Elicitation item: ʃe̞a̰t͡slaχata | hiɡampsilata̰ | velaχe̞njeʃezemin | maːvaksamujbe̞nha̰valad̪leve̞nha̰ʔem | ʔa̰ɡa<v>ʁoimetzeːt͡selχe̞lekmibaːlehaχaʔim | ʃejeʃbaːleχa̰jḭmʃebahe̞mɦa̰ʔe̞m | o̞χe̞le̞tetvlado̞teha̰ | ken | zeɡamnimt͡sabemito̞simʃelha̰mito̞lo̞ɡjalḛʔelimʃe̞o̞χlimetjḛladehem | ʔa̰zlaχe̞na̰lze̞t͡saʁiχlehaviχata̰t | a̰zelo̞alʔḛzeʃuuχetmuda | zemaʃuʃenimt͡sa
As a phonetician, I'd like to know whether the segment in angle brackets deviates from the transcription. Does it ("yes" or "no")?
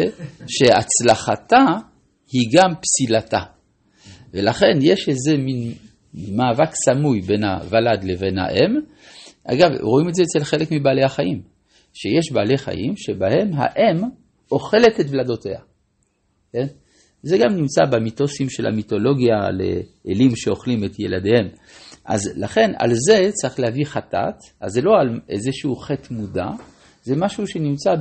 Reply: no